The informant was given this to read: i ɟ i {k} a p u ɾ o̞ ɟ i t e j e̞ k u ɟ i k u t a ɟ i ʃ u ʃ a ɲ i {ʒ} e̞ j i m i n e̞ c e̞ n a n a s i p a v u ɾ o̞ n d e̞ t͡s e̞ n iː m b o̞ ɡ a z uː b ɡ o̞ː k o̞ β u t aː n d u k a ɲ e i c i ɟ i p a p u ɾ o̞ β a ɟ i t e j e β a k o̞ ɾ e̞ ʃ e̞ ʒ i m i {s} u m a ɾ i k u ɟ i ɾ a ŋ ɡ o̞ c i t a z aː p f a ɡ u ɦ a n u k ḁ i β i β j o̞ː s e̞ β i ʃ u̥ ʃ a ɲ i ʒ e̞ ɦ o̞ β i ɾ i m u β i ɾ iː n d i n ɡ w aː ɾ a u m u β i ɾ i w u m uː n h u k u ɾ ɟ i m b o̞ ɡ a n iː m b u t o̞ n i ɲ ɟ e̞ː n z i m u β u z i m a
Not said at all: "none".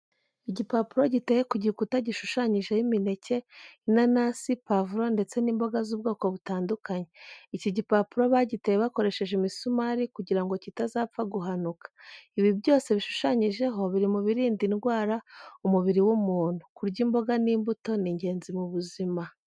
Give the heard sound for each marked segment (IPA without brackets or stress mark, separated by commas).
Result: p, ʒ, s